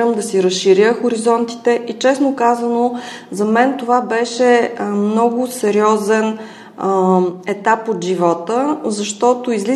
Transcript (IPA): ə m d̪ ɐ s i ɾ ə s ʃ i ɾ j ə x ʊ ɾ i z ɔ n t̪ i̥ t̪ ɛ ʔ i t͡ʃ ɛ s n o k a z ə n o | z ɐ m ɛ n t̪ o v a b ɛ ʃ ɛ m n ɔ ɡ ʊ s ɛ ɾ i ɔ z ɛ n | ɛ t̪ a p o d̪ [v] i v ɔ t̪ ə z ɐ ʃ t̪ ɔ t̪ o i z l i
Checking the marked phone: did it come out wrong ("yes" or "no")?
yes